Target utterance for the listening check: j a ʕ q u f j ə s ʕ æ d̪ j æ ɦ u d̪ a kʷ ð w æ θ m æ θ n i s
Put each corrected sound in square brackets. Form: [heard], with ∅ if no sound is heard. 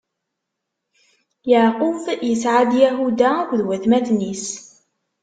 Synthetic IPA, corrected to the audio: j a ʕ q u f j ə s ʕ [a] d̪ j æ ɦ u d̪ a kʷ ð w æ θ m æ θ n i s